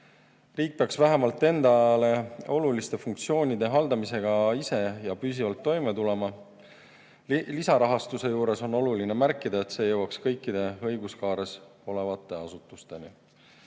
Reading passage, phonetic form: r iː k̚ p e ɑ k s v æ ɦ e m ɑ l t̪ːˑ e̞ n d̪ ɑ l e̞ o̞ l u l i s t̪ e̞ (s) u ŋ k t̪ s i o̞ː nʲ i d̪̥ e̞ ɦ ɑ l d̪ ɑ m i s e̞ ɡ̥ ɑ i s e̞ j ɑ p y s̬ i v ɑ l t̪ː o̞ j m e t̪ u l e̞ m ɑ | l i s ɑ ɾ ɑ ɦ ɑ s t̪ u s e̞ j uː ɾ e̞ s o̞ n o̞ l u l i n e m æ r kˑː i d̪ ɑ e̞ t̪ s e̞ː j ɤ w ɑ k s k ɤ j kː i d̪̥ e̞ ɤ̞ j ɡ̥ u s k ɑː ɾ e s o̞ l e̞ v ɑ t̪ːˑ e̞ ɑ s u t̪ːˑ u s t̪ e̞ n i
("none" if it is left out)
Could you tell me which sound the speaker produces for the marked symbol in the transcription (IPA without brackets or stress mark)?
f